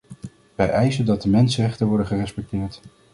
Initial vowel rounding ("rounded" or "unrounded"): unrounded